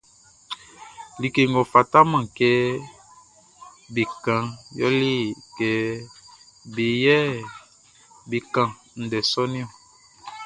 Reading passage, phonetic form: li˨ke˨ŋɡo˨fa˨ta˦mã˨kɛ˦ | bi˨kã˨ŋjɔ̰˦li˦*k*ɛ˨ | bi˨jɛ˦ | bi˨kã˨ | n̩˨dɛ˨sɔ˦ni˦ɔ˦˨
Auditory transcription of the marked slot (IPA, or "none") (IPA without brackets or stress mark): k